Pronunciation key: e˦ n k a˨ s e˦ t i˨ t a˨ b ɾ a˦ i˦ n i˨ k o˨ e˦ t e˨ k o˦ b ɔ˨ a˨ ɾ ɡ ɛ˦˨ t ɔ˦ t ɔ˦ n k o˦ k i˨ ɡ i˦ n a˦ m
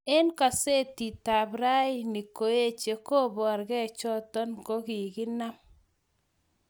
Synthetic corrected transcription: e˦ n k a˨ s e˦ t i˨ t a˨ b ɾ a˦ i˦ n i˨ k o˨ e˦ t͡ʃ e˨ k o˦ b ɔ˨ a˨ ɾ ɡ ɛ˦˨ t͡ʃ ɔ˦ t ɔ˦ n k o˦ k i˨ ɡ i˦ n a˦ m